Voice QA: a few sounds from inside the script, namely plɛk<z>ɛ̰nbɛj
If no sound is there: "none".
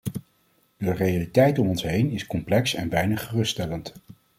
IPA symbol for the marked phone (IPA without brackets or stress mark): s